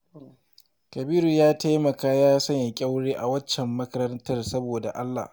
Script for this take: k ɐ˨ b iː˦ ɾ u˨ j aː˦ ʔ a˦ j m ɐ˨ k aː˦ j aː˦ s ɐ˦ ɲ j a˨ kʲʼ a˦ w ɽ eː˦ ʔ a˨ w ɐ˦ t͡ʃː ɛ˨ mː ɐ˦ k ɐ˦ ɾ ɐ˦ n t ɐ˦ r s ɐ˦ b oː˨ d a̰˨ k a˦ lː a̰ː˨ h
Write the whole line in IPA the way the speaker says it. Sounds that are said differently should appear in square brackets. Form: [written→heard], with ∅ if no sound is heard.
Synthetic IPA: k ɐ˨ b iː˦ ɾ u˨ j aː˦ [ʔ→t] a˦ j m ɐ˨ k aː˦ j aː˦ s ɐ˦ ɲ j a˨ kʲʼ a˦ w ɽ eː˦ ʔ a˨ w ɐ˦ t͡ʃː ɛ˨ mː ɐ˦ k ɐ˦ ɾ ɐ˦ n t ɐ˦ r s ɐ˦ b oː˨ d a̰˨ [k→ʔ] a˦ lː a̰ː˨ h